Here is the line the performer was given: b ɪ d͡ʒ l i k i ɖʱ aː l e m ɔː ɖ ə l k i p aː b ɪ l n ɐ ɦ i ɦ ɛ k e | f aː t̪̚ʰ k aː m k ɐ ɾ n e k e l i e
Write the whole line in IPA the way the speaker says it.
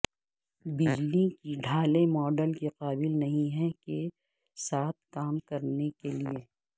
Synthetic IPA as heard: b ɪ d͡ʒ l i k i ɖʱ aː l e m ɔː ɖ ə l k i q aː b ɪ l n ɐ ɦ ĩ ɦ ɛ k e | s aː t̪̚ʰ k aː m k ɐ ɾ n e k e l i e